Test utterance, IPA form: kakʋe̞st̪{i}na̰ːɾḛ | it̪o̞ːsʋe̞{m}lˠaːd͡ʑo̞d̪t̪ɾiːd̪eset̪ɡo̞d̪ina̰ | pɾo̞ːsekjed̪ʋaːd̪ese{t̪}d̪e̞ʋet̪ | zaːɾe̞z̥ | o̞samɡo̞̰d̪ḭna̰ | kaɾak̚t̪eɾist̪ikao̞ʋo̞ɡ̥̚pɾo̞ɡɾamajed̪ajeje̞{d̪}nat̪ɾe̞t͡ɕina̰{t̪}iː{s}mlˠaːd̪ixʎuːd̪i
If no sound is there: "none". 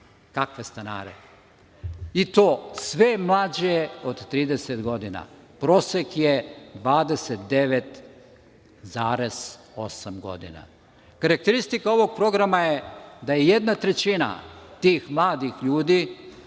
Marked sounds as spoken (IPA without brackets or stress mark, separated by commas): a, m, t̪, d̪, t̪, x